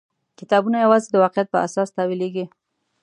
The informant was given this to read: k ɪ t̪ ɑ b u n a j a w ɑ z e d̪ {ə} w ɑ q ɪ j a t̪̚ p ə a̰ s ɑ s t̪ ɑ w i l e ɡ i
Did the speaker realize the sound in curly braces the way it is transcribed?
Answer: yes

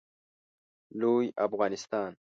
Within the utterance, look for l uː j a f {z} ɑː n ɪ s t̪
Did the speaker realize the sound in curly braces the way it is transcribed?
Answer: no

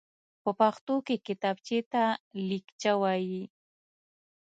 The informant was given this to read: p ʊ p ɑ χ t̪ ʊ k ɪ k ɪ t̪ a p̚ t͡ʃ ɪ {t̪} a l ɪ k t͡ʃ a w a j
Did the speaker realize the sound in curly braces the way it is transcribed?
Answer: yes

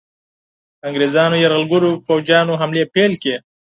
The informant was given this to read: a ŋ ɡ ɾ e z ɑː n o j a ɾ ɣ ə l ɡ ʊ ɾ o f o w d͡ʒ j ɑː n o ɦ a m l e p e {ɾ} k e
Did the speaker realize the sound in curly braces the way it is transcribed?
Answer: no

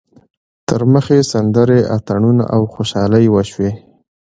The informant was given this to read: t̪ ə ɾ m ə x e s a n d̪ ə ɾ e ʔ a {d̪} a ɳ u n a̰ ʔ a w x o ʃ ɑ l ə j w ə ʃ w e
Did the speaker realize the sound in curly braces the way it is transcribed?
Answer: no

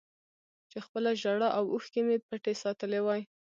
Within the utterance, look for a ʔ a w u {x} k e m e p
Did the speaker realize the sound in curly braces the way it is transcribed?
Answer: yes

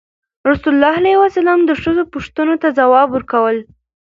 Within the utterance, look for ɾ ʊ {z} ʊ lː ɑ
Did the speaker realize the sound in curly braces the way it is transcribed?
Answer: no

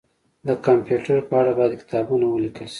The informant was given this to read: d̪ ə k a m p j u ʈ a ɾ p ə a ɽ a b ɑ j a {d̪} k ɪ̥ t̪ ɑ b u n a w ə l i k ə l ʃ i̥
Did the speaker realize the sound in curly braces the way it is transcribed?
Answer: yes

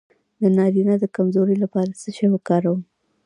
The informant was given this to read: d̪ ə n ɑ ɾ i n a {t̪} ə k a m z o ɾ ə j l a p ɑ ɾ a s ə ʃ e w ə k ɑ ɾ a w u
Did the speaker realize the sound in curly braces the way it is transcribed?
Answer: no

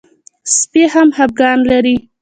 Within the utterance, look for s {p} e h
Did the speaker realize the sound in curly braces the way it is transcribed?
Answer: yes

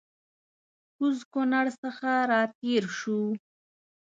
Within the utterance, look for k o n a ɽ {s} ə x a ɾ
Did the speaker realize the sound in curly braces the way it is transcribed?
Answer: yes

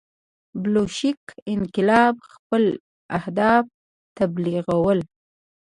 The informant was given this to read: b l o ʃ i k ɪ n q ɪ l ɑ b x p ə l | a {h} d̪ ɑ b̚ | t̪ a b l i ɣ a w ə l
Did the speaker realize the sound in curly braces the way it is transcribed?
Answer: yes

